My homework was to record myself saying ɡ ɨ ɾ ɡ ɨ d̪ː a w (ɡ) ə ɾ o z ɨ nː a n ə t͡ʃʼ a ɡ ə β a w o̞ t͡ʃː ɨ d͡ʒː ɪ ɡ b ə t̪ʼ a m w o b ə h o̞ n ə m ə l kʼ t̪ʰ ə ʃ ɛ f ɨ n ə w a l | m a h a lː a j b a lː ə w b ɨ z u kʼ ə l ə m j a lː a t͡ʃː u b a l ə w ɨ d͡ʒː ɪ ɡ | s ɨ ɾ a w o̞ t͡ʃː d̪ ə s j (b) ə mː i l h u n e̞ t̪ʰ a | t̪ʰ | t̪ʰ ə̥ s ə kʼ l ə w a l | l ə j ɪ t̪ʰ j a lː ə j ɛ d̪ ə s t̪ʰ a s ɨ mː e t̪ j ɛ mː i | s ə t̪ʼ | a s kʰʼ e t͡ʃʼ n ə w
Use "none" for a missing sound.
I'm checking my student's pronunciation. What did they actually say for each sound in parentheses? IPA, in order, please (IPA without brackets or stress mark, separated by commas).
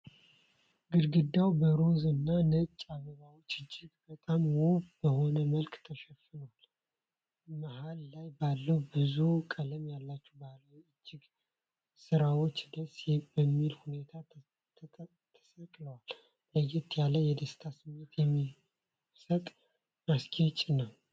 b, b